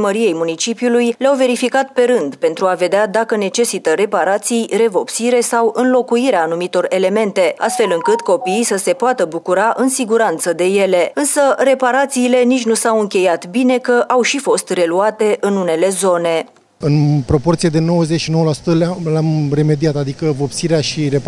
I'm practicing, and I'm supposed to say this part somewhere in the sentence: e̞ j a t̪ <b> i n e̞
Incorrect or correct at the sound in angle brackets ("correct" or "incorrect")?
correct